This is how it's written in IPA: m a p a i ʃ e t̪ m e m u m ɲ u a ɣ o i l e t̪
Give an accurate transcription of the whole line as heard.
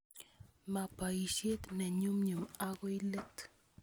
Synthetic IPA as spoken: m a p a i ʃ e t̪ n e ɲ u m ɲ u a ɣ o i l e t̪